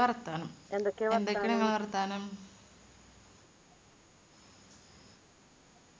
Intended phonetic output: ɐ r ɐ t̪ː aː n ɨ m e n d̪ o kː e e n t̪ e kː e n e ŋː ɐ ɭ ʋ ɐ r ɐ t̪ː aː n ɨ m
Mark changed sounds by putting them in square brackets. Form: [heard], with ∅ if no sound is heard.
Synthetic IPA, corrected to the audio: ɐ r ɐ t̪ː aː n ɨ m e n d̪ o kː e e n [d̪] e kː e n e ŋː ɐ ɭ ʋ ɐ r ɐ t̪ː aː n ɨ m